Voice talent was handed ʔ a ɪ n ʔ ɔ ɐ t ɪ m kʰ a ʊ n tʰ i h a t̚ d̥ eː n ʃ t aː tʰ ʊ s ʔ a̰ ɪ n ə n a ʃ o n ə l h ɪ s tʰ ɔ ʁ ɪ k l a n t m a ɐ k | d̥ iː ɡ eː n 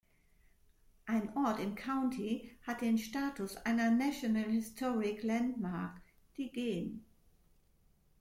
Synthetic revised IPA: ʔ a ɪ n ʔ ɔ ɐ t ɪ m kʰ a ʊ n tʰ i h a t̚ d̥ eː n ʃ t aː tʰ ʊ s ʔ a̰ ɪ n ɐ n a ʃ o n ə l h ɪ s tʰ ɔ ʁ ɪ k l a n t m a ɐ k | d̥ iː ɡ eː n